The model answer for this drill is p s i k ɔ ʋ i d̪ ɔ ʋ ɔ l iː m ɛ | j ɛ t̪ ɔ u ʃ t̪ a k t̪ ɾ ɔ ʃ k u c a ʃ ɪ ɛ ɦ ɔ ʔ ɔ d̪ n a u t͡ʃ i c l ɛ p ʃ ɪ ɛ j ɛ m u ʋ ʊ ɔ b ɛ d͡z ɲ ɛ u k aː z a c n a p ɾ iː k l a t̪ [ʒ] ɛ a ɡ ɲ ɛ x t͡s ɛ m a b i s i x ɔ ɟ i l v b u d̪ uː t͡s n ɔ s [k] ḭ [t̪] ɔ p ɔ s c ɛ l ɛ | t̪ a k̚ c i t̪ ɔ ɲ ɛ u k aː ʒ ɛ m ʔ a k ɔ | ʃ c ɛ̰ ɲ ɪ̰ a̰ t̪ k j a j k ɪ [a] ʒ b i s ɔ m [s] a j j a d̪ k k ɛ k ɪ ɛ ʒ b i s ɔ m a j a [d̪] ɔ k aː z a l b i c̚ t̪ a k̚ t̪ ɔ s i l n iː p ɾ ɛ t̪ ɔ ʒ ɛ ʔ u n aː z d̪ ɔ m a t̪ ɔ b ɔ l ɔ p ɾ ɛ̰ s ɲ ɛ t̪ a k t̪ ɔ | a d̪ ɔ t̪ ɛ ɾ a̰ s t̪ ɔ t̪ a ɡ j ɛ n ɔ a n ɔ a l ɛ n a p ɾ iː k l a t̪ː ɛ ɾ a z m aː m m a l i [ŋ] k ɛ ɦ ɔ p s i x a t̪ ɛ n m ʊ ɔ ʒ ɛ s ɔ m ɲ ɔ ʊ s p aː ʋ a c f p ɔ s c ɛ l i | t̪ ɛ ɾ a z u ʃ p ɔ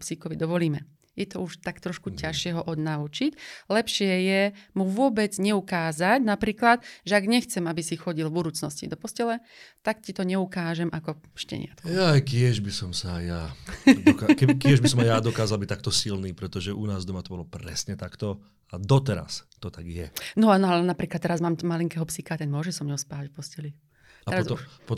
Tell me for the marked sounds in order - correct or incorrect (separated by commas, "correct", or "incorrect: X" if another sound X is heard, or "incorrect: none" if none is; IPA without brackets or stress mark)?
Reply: correct, incorrect: c, incorrect: d̪, incorrect: ɛ, correct, correct, correct